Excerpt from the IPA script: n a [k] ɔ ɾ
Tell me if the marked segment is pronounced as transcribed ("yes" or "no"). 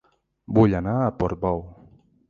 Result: no